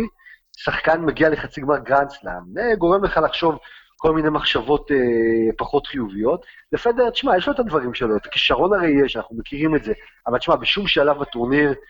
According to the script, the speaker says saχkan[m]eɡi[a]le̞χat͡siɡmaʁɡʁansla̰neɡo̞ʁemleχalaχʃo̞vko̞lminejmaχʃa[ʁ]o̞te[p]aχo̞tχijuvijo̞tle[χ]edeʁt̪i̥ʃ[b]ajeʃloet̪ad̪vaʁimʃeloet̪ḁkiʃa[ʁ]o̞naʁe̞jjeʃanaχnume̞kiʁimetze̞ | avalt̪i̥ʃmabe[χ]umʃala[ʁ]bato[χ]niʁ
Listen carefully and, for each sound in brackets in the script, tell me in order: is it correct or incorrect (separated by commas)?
correct, correct, incorrect, correct, incorrect, incorrect, correct, incorrect, incorrect, incorrect